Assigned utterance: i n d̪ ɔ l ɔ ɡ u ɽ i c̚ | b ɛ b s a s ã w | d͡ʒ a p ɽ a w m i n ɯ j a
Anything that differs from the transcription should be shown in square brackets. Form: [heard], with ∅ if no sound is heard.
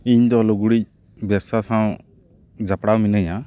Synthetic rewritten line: i [ɲ] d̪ ɔ l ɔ ɡ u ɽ i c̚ | b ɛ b s a s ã w | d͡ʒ a p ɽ a w m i n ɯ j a